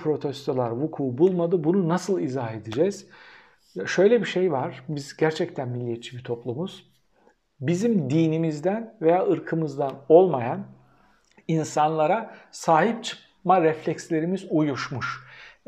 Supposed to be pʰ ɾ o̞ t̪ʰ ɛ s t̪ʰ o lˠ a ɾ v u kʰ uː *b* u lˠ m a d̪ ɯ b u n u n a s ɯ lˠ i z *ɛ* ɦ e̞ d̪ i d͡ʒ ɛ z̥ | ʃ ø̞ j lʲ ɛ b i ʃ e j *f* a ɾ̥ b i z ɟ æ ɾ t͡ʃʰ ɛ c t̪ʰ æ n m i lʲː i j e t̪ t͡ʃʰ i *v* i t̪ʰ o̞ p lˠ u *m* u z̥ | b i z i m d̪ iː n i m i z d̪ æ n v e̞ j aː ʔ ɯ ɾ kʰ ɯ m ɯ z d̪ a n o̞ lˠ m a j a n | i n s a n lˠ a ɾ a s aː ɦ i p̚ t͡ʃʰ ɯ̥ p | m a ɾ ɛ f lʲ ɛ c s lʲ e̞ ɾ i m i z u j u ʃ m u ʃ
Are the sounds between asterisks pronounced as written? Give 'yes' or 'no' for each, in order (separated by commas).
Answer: yes, no, no, no, yes